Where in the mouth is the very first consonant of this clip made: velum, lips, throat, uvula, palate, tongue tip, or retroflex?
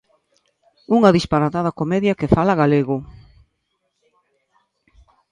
velum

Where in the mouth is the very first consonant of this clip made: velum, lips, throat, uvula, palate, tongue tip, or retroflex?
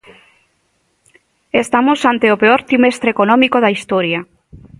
tongue tip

